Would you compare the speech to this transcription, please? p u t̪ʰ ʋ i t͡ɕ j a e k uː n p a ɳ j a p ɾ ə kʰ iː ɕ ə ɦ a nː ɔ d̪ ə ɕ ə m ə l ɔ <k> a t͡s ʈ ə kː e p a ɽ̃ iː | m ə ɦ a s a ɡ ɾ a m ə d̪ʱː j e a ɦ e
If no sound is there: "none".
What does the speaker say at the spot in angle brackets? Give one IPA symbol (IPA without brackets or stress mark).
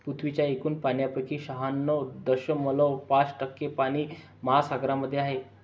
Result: p